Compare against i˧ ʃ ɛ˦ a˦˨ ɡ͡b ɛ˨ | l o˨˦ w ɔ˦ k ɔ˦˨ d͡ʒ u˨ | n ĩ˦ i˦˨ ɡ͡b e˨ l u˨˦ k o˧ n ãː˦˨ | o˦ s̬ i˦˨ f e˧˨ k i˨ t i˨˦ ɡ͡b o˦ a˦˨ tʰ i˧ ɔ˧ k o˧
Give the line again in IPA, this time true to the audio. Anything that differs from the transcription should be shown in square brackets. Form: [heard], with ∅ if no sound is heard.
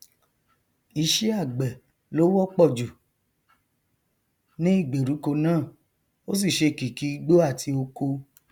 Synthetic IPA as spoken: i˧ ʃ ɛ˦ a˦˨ ɡ͡b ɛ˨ | l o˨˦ w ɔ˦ [k͡p] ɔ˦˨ d͡ʒ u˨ | n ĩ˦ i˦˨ ɡ͡b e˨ [ɾ] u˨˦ k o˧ n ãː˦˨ | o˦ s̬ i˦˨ [ʃ] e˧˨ k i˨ [k] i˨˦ ɡ͡b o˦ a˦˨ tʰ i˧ [o˧] k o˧